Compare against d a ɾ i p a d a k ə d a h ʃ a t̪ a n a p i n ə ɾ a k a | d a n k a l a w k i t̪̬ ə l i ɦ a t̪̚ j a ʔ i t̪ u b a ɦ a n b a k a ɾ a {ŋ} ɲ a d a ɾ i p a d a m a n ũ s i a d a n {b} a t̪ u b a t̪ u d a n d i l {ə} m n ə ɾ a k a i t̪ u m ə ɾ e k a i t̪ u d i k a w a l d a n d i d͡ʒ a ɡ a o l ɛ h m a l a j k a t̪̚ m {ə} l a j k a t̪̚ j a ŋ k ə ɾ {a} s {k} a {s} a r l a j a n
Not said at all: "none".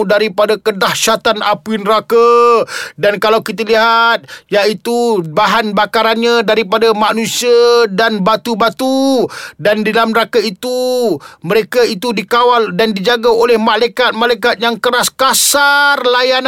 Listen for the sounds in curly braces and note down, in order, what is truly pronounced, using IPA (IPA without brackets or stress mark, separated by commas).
n, b, a, a, a, k, s